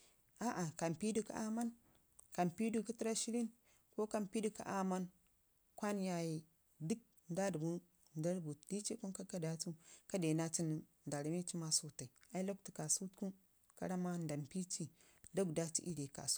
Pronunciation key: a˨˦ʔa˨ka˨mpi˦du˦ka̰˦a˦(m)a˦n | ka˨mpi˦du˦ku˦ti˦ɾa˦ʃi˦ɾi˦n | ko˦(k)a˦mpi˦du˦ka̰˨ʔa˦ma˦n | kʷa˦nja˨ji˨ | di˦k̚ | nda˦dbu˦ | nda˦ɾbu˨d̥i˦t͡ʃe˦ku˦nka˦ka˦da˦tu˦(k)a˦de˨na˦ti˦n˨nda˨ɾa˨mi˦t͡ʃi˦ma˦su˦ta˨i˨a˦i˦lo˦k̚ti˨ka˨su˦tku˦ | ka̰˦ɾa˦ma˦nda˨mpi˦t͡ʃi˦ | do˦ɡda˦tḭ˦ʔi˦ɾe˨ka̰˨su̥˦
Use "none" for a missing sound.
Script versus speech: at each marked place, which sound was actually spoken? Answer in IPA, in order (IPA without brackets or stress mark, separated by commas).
m, k, k